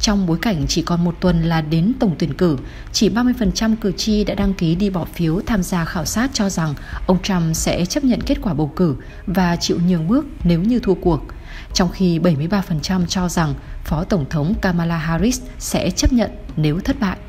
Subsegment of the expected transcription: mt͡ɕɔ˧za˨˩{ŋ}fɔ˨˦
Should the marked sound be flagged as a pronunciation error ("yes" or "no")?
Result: no